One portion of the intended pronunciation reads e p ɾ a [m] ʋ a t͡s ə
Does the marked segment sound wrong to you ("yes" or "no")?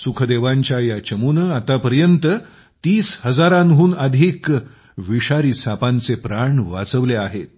yes